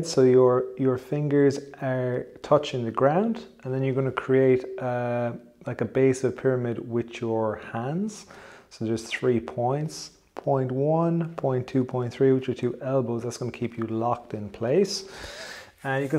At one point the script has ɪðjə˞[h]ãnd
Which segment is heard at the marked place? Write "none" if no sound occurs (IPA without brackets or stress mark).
h